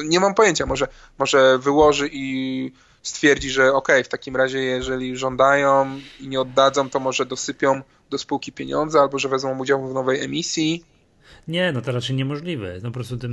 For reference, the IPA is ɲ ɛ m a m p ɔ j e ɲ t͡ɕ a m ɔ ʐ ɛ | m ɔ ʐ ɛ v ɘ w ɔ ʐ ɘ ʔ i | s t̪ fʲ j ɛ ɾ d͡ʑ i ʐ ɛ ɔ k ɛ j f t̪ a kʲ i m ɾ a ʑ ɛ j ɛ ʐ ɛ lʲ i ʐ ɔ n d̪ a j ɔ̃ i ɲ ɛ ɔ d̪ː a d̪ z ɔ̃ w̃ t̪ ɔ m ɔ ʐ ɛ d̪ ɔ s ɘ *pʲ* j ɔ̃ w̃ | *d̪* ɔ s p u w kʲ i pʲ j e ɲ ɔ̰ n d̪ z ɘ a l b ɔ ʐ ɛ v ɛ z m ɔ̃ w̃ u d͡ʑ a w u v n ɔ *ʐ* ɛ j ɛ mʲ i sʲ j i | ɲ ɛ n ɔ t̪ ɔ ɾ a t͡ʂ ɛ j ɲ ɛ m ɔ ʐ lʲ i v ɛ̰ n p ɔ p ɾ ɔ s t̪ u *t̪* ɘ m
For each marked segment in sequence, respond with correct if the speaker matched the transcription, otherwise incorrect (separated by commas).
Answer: correct, correct, incorrect, correct